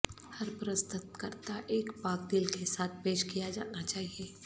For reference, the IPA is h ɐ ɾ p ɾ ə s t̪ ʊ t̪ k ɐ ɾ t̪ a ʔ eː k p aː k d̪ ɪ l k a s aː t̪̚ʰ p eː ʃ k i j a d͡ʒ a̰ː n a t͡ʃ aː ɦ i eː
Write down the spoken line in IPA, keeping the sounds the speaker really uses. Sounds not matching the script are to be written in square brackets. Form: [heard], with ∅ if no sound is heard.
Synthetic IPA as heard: h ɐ ɾ p ɾ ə s t̪ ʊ t̪ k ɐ ɾ t̪ a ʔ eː k p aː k d̪ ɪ l k [e] s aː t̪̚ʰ p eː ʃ k i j a d͡ʒ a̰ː n a t͡ʃ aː ɦ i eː